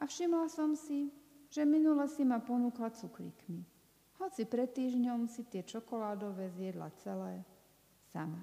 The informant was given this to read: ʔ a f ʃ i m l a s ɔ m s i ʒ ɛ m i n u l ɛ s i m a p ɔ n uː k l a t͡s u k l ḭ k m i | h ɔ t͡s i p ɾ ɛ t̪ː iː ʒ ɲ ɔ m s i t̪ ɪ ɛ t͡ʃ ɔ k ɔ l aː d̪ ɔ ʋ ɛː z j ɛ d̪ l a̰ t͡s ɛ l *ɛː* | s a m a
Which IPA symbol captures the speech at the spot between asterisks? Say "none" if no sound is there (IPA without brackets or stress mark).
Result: ɛː